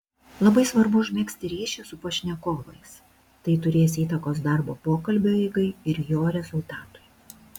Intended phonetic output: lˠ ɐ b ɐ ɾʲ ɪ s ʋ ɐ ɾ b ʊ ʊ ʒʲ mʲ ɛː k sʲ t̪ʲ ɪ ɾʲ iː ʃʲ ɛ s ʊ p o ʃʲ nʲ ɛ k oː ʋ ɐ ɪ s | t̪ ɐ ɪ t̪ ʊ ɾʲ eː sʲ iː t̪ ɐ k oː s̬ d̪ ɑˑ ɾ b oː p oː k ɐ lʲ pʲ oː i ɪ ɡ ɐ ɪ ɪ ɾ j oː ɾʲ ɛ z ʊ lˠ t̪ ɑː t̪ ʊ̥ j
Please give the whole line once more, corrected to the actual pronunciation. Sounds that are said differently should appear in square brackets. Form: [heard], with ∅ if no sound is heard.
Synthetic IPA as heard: lˠ ɐ b ɐ [∅] ɪ s ʋ ɐ ɾ b ʊ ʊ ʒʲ mʲ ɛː k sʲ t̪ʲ ɪ ɾʲ iː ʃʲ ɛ s ʊ p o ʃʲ nʲ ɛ k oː ʋ ɐ ɪ s | t̪ ɐ ɪ t̪ ʊ ɾʲ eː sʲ iː t̪ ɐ k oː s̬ d̪ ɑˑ ɾ b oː p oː k ɐ lʲ [bʲ] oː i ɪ ɡ ɐ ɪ ɪ ɾ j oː ɾʲ ɛ z ʊ lˠ t̪ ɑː t̪ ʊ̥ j